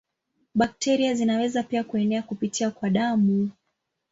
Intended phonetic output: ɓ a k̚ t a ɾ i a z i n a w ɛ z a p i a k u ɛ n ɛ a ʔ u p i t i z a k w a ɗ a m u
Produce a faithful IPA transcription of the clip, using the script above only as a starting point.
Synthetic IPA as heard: ɓ a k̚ t ɛ ɾ i a z i n a w ɛ z a p i a k u ɛ n ɛ a k u p i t i a k w a ɗ a m u